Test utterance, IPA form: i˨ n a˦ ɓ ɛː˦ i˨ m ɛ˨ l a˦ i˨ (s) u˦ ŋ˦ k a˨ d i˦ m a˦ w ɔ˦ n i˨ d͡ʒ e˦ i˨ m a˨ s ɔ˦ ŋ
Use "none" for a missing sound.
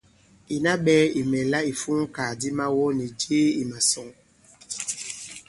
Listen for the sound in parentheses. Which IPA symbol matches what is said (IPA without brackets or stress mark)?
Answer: f